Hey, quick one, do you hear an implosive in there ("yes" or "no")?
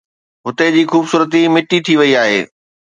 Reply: no